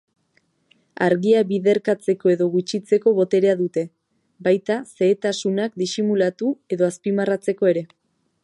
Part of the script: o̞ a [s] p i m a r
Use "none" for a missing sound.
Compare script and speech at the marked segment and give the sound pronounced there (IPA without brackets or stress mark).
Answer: s